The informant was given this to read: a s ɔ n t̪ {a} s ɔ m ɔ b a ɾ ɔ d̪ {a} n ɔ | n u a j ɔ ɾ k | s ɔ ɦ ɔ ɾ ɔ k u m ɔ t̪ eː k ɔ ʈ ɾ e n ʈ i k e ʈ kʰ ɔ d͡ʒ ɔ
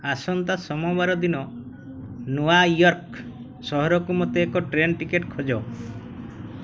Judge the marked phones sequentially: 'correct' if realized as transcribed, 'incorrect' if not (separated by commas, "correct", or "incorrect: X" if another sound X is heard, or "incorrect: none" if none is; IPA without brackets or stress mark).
correct, incorrect: i